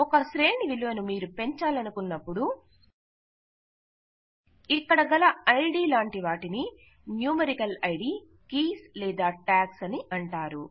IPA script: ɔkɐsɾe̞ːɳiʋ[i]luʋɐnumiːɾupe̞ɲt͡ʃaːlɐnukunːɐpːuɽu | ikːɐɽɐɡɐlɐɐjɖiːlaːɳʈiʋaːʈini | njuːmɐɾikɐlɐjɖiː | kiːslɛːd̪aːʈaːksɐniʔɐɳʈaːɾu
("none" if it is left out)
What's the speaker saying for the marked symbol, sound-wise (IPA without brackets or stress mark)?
i